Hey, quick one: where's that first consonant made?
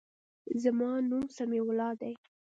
tongue tip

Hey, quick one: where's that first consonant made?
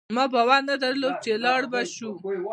lips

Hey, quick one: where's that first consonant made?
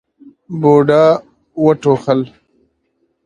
lips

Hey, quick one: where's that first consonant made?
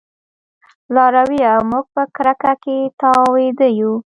tongue tip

